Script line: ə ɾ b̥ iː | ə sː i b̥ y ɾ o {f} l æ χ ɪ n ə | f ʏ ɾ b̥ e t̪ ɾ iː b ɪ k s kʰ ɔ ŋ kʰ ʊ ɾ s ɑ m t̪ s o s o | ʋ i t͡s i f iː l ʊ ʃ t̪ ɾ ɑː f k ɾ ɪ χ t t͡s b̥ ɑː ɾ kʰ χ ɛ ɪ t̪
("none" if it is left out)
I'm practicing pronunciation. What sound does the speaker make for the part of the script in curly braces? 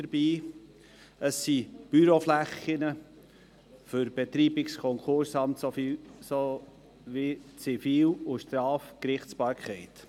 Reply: f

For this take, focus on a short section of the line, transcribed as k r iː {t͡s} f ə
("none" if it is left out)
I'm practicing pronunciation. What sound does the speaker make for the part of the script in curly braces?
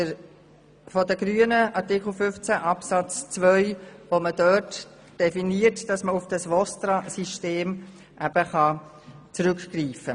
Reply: none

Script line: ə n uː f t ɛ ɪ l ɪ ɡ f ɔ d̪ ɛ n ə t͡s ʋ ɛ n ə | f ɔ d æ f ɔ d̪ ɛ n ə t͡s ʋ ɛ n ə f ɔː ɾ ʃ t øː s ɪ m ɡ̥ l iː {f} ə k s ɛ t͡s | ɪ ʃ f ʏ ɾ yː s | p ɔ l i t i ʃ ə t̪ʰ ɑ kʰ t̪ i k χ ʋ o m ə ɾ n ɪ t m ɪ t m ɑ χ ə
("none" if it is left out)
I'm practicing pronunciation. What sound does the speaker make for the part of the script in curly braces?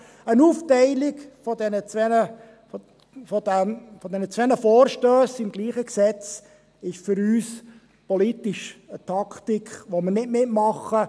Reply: χ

